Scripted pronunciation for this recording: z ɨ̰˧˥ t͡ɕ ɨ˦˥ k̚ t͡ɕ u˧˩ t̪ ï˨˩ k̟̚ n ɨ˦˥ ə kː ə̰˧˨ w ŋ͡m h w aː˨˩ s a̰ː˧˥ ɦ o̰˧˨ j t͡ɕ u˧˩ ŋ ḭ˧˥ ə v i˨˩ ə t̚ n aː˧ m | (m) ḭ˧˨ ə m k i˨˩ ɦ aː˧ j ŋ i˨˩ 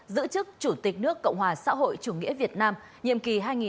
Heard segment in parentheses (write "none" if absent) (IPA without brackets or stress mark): ɲ